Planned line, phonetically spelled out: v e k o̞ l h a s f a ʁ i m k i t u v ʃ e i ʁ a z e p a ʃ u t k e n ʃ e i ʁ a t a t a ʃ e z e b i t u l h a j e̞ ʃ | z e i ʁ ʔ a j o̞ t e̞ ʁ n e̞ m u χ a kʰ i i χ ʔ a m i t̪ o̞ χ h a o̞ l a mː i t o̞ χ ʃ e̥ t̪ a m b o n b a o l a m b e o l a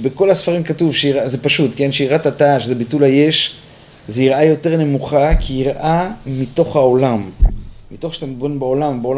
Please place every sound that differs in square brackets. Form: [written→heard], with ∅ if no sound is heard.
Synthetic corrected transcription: [v→b] e k o̞ l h a s f a ʁ i m k [i→a] t u v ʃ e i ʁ a z e p a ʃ u t k e n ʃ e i ʁ a t a t a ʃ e z e b i t u l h a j e̞ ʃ | z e i ʁ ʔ a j o̞ t e̞ ʁ n e̞ m u χ a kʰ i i [χ→ʁ] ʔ a m i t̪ o̞ χ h a o̞ l a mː i t o̞ χ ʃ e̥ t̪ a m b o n b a o l a m b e o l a